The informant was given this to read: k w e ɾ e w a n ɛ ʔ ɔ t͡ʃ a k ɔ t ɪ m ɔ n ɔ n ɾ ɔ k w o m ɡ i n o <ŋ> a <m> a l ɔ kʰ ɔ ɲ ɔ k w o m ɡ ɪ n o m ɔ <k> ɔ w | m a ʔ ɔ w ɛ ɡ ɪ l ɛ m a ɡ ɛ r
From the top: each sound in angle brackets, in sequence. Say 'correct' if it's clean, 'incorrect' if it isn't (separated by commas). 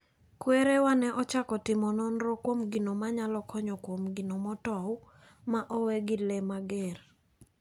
incorrect, incorrect, incorrect